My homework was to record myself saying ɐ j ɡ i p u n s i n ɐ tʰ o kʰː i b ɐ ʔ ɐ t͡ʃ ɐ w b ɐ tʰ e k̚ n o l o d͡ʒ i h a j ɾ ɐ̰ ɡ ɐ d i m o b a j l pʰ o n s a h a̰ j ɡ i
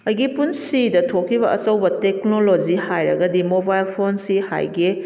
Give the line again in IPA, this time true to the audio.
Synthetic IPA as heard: ɐ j ɡ i p u n s i d ɐ tʰ o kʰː i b ɐ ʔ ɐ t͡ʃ ɐ w b ɐ t e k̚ n o l o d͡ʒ i h a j ɾ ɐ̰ ɡ ɐ d i m o b a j l pʰ o n s i h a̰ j ɡ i